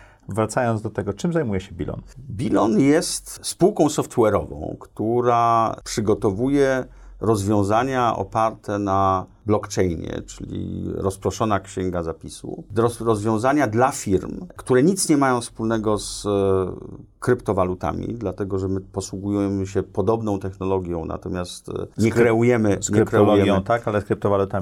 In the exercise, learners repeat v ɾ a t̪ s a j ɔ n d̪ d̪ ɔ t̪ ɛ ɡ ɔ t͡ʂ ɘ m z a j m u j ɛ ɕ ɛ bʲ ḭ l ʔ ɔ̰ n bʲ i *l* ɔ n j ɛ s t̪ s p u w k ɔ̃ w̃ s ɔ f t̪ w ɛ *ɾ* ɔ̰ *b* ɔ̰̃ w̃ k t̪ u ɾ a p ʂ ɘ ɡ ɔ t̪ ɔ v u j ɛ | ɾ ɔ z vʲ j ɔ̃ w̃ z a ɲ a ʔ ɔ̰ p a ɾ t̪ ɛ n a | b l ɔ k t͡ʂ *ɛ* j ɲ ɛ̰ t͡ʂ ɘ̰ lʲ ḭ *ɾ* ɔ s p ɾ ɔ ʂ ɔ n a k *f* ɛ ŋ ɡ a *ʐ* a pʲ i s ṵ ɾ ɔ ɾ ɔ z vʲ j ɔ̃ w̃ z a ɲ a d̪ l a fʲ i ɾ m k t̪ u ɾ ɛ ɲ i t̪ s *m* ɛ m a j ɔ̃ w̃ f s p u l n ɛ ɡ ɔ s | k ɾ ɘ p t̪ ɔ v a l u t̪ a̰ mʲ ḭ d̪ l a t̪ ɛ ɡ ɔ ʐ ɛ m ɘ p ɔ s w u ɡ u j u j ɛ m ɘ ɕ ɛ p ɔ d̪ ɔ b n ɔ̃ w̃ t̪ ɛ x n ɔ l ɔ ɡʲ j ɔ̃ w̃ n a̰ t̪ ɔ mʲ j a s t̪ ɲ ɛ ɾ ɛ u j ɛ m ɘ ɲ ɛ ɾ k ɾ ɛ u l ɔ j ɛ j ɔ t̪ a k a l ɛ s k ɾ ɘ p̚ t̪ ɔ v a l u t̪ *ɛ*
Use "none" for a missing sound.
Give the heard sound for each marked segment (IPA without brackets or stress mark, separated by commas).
l, ɾ, v, ɛ, ɾ, ɕ, z, ɲ, a